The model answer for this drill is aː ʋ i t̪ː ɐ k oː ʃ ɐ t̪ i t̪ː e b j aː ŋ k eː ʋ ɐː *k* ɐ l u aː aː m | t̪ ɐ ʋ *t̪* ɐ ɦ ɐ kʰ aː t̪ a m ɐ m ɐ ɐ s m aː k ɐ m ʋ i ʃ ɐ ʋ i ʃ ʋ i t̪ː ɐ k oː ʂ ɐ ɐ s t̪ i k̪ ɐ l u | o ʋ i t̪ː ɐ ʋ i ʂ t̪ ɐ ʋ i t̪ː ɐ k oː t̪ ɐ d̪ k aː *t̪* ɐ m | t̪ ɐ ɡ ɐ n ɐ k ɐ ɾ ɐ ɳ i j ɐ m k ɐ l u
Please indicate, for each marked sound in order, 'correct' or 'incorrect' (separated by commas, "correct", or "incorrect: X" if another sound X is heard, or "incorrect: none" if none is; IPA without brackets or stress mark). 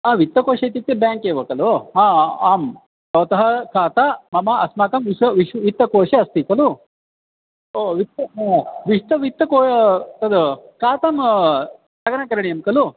correct, correct, correct